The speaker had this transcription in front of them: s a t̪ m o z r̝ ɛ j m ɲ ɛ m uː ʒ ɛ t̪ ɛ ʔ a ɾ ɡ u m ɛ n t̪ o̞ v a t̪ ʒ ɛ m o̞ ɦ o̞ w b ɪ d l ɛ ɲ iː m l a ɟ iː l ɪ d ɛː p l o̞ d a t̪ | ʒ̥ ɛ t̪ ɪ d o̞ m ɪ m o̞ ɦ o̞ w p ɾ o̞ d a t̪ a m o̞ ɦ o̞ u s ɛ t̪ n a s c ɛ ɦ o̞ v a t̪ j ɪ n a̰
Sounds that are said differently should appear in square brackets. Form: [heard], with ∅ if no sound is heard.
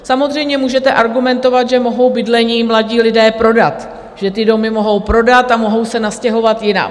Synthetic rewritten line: s a [∅] m o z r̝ ɛ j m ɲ ɛ m uː ʒ ɛ t̪ ɛ ʔ a ɾ ɡ u m ɛ n t̪ o̞ v a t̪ ʒ ɛ m o̞ ɦ o̞ w b ɪ d l ɛ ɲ iː m l a ɟ iː l ɪ d ɛː p [ɾ] o̞ d a t̪ | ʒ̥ ɛ t̪ ɪ d o̞ m ɪ m o̞ ɦ o̞ w p ɾ o̞ d a t̪ a m o̞ ɦ o̞ [w] s ɛ [∅] n a s c ɛ ɦ o̞ v a t̪ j ɪ n a̰